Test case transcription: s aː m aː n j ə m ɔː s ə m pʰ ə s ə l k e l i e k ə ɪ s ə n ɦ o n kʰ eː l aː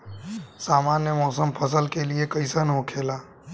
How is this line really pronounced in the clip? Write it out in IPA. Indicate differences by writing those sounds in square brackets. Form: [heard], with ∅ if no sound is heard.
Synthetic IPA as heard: s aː m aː n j ə m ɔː s ə m pʰ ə s ə l k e l i e k ə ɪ s ə n ɦ o [∅] kʰ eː l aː